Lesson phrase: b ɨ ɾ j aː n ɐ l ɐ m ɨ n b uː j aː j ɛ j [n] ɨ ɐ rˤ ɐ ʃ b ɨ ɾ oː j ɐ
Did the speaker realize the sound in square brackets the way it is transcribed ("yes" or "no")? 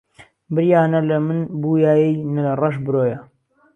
yes